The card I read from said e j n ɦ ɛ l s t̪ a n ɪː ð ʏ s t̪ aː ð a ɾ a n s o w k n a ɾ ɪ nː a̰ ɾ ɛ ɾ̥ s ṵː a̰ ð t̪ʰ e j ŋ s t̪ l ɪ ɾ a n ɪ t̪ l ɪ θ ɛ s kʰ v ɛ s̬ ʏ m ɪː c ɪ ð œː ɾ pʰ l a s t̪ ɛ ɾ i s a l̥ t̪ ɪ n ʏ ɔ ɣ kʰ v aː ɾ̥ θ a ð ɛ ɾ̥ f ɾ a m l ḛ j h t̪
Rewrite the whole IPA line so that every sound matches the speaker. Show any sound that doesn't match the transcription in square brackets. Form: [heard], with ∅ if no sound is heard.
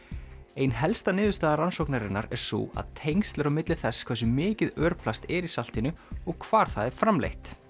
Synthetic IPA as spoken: e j n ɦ ɛ l s t̪ a n ɪː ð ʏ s t̪ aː ð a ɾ a n s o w k n a ɾ ɪ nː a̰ ɾ ɛ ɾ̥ s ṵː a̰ ð t̪ʰ e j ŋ s t̪ l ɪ ɾ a [m] ɪ t̪ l ɪ θ ɛ s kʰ v ɛ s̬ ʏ m ɪː c ɪ ð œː ɾ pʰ l a s t̪ ɛ ɾ i s a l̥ t̪ ɪ n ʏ ɔ ɣ kʰ v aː ɾ̥ θ a ð ɛ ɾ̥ f ɾ a m l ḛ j h t̪

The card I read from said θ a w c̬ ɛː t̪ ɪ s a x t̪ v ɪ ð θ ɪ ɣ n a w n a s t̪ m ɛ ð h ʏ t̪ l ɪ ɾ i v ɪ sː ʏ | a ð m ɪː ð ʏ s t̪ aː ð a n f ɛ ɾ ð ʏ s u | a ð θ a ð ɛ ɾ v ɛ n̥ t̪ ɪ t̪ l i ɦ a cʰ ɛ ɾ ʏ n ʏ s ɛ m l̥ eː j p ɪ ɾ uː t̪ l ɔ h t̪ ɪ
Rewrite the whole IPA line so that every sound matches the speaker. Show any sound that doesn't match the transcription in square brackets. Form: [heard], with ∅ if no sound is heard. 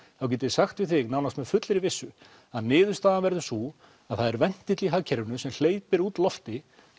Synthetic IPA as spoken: θ a w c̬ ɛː t̪ ɪ s a x t̪ v ɪ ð θ ɪ ɣ n a w n a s t̪ m ɛ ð [f] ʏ t̪ l ɪ ɾ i v ɪ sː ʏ | a ð [n] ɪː ð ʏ s t̪ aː ð a n [v] ɛ ɾ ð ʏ s u | a ð θ a ð ɛ ɾ v ɛ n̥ t̪ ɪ t̪ l i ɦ a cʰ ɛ ɾ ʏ n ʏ s ɛ m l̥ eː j p ɪ ɾ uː t̪ l ɔ [f] t̪ ɪ

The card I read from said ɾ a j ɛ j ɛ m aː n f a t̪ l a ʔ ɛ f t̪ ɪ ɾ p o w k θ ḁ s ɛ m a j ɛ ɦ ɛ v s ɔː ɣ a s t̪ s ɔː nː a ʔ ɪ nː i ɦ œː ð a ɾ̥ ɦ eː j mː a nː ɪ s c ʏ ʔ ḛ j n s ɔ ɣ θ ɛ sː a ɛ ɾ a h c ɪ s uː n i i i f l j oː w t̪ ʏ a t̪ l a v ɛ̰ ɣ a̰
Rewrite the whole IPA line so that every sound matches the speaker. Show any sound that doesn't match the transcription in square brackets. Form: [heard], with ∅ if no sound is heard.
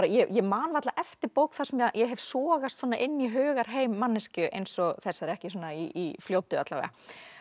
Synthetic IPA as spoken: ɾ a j ɛ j ɛ m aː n [v] a t̪ l a ʔ ɛ f t̪ ɪ ɾ p o w k θ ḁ s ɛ m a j ɛ ɦ ɛ v s ɔː ɣ a s t̪ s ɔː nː a ʔ ɪ nː i ɦ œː [ɣ] a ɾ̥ ɦ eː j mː a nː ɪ s c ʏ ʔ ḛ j n s ɔ ɣ θ ɛ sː a ɛ ɾ [ɛ] h c ɪ s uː n [a] i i f l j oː w t̪ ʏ a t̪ l a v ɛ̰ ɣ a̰

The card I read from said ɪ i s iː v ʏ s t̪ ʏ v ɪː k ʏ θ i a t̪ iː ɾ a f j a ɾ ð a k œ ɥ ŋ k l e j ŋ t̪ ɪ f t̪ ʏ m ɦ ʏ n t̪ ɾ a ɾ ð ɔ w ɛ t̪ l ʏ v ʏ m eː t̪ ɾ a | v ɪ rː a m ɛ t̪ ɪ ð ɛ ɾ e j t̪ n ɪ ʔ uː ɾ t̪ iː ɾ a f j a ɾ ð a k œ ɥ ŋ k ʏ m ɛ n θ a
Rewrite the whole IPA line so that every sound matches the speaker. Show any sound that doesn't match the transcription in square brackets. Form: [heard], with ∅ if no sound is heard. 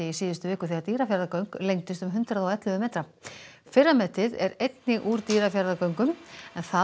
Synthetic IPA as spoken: ɪ i s iː [ð] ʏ s t̪ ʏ v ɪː k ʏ θ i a t̪ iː ɾ a f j a ɾ ð a k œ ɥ ŋ k l e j ŋ t̪ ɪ [s] t̪ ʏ m ɦ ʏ n t̪ ɾ a [∅] ð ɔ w ɛ t̪ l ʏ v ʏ m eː t̪ ɾ a | [f] ɪ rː a m ɛ t̪ ɪ ð ɛ ɾ e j t̪ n ɪ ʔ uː ɾ t̪ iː ɾ a f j a ɾ ð a k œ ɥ ŋ k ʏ m ɛ n θ a

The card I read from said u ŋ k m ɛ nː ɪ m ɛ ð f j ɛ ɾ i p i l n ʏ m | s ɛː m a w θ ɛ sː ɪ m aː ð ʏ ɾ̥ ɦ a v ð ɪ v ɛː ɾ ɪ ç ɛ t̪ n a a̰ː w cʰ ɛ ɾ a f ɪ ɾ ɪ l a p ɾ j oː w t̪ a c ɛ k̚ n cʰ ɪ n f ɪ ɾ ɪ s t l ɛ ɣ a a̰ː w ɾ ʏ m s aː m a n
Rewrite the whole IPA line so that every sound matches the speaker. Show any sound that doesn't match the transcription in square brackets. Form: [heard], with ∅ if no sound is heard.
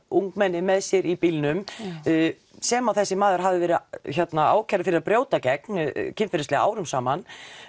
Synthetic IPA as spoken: u ŋ k m ɛ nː ɪ m ɛ ð [s] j ɛ ɾ i p i l n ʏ m | s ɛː m a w θ ɛ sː ɪ m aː ð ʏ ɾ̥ ɦ a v ð ɪ v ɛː ɾ ɪ ç ɛ t̪ n a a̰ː w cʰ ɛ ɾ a f ɪ ɾ ɪ [ɾ] a p ɾ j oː w t̪ a c ɛ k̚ n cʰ ɪ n f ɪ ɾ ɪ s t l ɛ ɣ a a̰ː w ɾ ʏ m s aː m a n

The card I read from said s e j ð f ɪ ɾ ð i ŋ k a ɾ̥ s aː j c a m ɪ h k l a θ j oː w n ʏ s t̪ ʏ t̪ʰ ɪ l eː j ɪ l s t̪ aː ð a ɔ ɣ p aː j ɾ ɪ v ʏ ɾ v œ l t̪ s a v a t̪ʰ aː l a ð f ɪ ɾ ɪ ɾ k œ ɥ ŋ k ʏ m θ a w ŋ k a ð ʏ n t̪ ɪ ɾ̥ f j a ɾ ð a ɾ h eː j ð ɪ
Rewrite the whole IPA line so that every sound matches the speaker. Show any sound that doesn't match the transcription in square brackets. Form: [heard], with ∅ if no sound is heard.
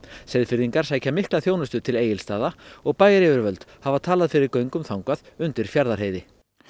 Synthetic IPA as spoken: s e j ð f ɪ ɾ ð i ŋ k a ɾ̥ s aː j c a m ɪ h k l a θ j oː w n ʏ s t̪ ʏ t̪ʰ ɪ l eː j ɪ l s t̪ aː ð a ɔ ɣ p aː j ɾ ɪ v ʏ ɾ v œ l t̪ [h] a v a t̪ʰ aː l a ð f ɪ ɾ ɪ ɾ k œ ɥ ŋ k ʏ m θ a w ŋ k a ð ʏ n t̪ ɪ ɾ̥ f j a ɾ ð a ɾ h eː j ð ɪ

